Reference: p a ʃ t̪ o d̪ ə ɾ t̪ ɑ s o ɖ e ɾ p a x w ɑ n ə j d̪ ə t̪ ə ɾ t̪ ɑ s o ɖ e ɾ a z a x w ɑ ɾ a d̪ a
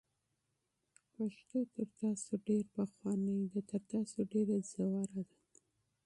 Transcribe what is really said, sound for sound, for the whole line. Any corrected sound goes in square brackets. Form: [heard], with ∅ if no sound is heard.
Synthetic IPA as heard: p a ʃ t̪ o [t̪] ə ɾ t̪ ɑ s o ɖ e ɾ p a x w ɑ n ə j d̪ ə t̪ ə ɾ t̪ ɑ s o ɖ e ɾ a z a [∅] w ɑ ɾ a d̪ a